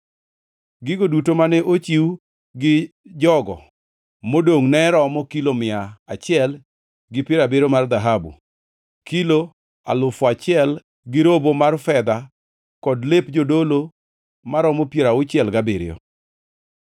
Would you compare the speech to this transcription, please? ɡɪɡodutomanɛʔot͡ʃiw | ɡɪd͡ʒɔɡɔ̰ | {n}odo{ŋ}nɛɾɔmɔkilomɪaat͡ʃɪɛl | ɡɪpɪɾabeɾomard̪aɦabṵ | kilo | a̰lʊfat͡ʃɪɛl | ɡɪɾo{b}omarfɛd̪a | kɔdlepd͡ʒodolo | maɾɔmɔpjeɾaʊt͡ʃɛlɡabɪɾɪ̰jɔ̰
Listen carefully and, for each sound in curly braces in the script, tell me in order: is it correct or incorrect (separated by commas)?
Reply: incorrect, correct, correct